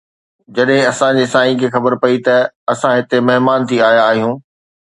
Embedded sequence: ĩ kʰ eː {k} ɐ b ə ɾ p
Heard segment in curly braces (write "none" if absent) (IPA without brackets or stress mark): x